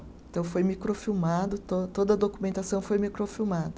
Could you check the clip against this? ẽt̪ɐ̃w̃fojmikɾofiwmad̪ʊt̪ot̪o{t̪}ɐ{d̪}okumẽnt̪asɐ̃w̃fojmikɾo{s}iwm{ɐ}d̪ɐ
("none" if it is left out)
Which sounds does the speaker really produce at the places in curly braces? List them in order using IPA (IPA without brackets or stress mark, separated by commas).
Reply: d̪, d̪, f, a